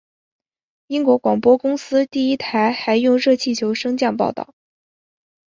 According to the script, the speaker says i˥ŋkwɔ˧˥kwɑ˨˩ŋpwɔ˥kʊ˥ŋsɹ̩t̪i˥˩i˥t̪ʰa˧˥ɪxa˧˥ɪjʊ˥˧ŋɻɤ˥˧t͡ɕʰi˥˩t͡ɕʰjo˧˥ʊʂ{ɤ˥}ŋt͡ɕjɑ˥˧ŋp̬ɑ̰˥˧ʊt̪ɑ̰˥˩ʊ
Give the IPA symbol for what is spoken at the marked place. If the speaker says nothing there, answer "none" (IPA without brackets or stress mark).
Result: ɤ˥